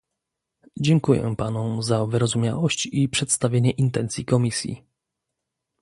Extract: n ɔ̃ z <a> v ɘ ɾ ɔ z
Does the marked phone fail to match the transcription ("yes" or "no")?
no